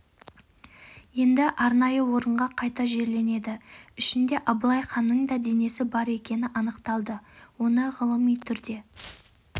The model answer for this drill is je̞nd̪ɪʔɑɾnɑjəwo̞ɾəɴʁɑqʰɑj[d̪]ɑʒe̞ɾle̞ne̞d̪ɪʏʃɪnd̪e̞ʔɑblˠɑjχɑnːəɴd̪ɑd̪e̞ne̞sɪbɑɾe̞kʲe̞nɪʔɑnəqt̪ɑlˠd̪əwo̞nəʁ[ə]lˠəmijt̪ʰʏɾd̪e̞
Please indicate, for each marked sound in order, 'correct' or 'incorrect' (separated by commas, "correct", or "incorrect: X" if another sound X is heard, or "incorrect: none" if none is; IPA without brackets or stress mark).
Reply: incorrect: t̪, correct